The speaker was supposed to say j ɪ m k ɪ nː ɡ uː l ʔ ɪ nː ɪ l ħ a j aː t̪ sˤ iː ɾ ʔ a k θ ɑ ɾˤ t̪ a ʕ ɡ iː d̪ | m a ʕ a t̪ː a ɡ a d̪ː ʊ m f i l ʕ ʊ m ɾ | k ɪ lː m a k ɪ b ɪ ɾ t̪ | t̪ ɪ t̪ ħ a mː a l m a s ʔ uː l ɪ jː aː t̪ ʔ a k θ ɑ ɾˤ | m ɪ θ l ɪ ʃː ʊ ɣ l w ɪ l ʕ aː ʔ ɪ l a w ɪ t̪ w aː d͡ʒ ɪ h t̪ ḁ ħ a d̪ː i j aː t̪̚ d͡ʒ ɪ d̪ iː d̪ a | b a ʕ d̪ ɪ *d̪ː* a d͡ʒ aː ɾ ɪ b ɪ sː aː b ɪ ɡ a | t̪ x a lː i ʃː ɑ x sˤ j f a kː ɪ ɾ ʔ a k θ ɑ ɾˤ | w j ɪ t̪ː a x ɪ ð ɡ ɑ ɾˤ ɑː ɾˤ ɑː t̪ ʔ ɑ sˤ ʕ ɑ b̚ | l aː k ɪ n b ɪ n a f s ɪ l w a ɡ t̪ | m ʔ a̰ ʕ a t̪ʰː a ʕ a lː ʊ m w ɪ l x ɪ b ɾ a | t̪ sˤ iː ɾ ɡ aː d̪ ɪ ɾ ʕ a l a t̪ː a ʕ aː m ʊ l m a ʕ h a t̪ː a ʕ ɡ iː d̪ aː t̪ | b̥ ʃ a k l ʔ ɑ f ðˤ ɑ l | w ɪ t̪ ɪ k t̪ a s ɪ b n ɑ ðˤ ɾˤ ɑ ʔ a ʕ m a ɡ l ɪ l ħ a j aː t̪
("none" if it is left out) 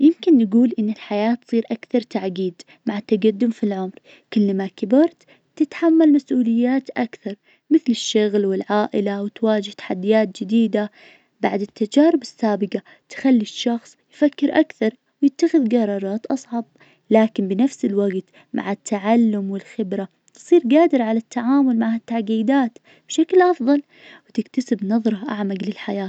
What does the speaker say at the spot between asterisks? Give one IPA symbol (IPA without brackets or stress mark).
t̪ː